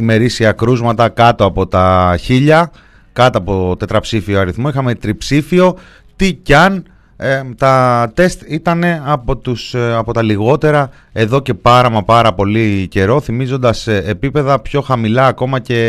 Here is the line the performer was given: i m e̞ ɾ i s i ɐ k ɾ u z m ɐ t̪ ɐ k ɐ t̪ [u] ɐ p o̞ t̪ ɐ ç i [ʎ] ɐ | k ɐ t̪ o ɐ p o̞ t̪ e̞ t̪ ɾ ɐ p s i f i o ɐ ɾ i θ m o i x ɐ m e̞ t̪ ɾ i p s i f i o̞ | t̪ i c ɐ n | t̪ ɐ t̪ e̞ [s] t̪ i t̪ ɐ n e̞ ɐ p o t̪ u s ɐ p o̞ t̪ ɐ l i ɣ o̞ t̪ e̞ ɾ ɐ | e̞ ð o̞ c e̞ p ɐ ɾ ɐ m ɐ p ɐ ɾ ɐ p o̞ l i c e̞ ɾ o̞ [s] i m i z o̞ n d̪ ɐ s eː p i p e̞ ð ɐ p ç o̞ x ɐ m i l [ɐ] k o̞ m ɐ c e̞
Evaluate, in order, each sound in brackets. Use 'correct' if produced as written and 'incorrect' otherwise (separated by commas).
incorrect, correct, correct, incorrect, incorrect